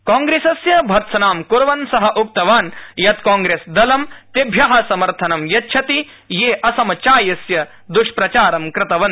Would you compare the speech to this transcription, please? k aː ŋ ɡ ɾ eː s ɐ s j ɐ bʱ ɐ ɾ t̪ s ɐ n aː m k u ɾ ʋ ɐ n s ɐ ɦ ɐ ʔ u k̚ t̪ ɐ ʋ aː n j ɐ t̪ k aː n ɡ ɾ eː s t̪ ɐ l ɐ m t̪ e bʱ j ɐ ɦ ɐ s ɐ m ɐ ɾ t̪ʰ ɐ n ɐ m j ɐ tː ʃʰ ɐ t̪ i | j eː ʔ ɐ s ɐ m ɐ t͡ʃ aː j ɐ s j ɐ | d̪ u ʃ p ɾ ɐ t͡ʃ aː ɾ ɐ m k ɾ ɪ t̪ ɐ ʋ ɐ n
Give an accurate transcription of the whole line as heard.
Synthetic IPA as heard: k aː ŋ ɡ ɾ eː s ɐ s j ɐ bʱ ɐ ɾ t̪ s ɐ n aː m k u ɾ ʋ ɐ n s ɐ ɦ ɐ ʔ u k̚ t̪ ɐ ʋ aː n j ɐ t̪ k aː ŋ ɡ ɾ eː s d̪ ɐ l ɐ m t̪ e bʱ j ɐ ɦ ɐ s ɐ m ɐ ɾ t̪ʰ ɐ n ɐ m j ɐ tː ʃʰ ɐ t̪ i | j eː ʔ ɐ s ɐ m ɐ t͡ʃ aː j ɐ s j ɐ | d̪ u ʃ p ɾ ɐ t͡ʃ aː ɾ ɐ m k ɾ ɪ t̪ ɐ ʋ ɐ n